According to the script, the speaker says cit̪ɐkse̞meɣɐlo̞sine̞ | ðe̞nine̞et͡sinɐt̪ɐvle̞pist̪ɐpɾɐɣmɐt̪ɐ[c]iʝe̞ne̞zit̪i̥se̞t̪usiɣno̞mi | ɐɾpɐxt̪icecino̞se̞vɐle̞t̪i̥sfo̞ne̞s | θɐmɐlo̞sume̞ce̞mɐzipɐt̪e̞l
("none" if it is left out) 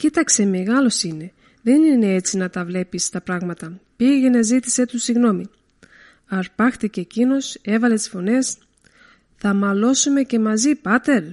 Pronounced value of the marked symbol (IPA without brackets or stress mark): p